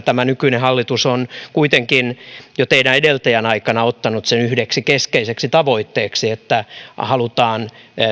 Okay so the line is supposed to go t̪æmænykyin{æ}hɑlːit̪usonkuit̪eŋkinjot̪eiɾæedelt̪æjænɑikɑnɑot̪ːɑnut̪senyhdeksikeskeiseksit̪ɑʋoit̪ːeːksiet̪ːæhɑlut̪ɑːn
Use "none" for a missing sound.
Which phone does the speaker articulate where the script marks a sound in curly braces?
e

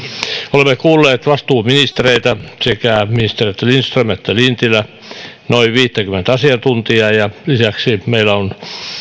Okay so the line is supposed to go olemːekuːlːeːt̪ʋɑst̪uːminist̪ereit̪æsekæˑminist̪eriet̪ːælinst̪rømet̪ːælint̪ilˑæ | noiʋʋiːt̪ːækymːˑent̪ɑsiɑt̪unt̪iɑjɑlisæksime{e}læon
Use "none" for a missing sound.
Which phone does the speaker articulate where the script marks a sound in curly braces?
i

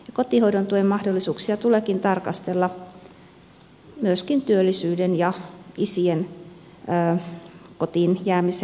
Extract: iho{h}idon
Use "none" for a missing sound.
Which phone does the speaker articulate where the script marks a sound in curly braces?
none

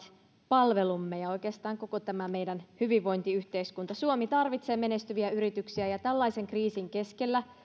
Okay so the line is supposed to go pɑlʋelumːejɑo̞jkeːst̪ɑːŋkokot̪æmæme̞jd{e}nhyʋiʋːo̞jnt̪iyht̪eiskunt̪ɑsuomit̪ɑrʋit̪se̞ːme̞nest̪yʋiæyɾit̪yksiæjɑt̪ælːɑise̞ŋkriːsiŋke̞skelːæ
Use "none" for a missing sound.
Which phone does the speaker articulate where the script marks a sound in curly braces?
æ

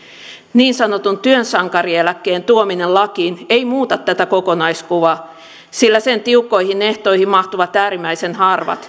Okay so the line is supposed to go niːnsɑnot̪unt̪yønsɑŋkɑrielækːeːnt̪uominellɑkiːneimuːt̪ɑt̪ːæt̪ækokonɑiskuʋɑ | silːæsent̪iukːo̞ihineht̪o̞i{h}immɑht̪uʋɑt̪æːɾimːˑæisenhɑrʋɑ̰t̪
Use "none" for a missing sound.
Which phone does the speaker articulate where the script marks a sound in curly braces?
h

